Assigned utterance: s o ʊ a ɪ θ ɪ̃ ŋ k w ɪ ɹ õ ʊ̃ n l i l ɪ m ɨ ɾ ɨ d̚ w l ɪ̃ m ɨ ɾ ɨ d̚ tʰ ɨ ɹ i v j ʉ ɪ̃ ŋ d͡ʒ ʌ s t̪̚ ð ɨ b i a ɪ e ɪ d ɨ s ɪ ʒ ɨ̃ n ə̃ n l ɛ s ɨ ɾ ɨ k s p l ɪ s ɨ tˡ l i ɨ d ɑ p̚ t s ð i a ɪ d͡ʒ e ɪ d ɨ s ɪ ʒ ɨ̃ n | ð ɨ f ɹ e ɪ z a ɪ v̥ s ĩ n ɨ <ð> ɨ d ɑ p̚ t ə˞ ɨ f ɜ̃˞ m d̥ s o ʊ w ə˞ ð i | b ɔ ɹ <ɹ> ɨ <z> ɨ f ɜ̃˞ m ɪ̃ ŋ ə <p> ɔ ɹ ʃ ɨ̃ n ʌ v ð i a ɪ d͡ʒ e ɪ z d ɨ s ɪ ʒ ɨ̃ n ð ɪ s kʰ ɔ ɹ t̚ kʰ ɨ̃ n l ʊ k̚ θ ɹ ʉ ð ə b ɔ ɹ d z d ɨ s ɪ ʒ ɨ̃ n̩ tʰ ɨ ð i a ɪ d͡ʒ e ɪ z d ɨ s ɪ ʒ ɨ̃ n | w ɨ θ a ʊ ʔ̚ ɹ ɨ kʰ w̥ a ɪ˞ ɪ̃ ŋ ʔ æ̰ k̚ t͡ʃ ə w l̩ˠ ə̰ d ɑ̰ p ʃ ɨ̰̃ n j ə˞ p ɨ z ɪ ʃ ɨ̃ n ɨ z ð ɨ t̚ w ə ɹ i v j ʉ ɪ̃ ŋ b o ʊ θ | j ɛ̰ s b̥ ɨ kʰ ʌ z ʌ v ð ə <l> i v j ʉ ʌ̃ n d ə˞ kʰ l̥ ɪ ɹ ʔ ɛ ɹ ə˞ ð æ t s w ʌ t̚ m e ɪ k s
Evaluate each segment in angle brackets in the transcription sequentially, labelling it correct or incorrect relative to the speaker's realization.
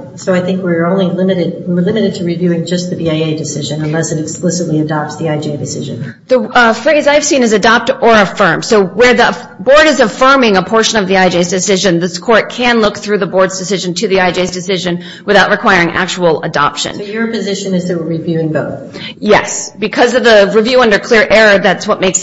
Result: incorrect: z, incorrect: ɾ, correct, incorrect: pʰ, incorrect: ɹ

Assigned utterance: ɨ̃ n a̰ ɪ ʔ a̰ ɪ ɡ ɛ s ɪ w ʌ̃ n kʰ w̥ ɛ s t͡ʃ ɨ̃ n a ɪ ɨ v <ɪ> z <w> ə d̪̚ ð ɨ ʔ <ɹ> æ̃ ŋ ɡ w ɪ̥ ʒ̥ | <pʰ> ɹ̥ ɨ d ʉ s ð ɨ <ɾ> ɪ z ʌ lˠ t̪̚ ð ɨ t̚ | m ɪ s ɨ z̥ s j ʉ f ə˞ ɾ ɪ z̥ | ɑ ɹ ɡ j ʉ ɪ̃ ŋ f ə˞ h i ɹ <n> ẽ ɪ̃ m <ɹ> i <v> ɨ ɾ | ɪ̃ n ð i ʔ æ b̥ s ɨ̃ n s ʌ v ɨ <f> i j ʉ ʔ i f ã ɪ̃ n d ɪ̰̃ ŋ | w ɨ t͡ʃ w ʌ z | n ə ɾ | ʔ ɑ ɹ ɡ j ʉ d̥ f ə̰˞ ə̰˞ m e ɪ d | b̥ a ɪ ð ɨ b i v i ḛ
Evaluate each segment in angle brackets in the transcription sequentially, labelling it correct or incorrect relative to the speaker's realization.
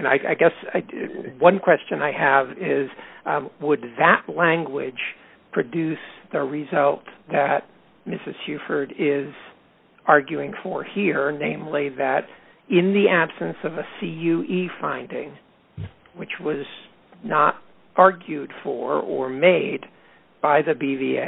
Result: correct, correct, incorrect: l, correct, incorrect: ɹ, correct, incorrect: l, incorrect: ð, incorrect: s

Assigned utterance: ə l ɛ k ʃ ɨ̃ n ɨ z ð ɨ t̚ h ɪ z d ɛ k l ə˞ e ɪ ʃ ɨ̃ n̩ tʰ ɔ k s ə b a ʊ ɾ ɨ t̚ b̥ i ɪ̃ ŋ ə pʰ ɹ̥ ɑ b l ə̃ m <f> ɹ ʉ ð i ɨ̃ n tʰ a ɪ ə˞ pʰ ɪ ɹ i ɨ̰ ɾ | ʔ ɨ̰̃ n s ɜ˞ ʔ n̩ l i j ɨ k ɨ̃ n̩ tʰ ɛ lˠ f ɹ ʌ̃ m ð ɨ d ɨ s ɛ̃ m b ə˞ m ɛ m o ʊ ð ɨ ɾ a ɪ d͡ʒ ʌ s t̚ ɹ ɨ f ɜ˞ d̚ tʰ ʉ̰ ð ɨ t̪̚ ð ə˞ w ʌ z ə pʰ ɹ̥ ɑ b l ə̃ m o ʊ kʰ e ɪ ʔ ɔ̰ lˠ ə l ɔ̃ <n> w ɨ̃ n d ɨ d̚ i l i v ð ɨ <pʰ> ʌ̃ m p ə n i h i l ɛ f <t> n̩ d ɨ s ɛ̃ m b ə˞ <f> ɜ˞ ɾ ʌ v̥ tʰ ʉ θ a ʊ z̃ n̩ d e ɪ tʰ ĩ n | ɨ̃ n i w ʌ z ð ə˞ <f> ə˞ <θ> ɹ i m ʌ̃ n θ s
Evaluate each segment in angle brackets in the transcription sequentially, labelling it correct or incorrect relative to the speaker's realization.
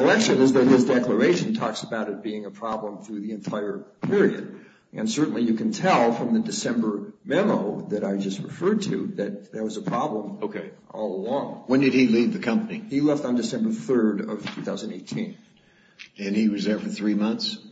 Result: incorrect: θ, incorrect: ŋ, incorrect: kʰ, correct, incorrect: θ, correct, correct

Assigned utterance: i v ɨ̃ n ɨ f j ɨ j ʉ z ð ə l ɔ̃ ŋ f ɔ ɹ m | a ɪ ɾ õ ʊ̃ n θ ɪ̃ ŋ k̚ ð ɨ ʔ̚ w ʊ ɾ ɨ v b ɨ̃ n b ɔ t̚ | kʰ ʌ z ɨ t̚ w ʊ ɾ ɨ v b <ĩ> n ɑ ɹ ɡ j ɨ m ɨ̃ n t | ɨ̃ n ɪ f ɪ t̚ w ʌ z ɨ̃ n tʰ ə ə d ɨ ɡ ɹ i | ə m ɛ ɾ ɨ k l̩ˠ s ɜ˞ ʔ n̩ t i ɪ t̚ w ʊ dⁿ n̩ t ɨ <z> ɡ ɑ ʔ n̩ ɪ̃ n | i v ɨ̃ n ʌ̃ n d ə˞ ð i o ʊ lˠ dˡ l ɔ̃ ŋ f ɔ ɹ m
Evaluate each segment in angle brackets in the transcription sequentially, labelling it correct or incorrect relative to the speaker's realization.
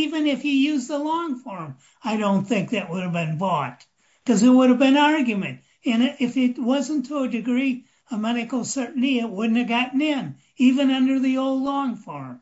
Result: incorrect: ɨ̃, incorrect: v

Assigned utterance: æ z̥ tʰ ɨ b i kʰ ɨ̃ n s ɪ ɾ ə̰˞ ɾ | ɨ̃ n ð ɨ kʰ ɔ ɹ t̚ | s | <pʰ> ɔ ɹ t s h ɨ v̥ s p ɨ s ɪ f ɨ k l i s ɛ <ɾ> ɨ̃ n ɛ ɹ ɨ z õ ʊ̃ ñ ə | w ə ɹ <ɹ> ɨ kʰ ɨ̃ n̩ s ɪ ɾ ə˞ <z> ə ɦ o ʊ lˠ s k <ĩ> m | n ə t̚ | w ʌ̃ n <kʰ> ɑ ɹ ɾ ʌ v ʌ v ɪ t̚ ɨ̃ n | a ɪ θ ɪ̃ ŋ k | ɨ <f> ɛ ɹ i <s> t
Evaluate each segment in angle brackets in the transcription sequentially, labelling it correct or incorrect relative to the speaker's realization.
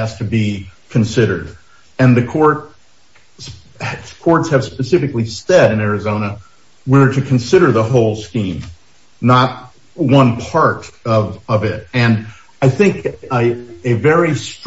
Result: incorrect: kʰ, correct, incorrect: ɾ, incorrect: ð, correct, incorrect: pʰ, incorrect: v, correct

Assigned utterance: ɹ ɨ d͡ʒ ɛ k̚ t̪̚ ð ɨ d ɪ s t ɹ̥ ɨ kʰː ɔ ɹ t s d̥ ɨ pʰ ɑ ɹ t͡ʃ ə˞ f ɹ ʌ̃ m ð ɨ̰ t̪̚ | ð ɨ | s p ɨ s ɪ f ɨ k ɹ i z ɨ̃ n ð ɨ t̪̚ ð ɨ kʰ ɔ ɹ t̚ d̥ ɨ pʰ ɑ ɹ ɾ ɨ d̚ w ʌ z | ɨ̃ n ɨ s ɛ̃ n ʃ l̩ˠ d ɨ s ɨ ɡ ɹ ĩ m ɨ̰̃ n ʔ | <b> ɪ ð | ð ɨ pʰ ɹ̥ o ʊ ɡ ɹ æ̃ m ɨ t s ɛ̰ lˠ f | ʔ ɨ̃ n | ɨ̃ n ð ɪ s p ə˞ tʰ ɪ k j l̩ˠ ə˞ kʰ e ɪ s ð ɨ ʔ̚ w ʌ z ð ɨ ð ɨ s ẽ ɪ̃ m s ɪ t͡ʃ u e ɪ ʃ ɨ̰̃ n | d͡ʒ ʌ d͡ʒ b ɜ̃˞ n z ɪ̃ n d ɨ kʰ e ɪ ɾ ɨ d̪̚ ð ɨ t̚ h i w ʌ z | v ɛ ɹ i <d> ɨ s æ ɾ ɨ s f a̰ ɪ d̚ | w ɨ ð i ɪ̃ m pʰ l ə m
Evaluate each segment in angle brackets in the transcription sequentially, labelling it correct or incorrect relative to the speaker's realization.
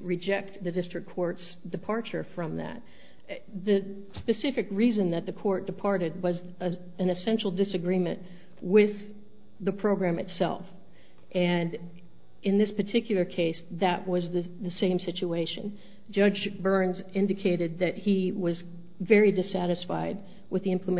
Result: incorrect: w, correct

